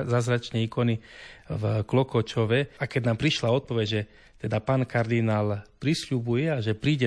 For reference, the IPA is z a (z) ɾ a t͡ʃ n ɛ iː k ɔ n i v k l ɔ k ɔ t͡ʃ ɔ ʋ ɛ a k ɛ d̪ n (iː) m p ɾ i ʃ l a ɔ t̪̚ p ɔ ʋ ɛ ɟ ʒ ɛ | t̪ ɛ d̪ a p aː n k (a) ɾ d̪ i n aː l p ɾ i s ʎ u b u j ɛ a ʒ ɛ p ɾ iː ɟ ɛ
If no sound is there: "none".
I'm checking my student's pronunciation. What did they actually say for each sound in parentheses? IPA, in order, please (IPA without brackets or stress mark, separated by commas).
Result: z, aː, a